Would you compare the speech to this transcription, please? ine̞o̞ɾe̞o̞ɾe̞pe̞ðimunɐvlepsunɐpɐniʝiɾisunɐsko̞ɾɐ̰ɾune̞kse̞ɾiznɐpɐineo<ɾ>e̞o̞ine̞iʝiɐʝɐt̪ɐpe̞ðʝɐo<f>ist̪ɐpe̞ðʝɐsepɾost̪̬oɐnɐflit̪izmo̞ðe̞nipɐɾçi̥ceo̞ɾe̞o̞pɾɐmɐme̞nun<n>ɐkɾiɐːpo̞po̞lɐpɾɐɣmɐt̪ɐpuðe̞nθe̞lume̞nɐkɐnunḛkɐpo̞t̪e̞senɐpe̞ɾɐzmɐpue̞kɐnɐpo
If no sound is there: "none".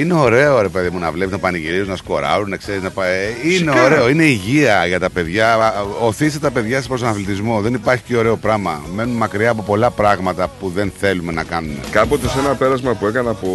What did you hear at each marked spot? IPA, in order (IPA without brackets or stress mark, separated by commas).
ɾ, θ, m